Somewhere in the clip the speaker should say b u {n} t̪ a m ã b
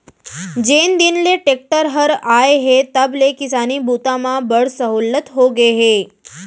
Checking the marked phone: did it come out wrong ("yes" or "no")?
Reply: yes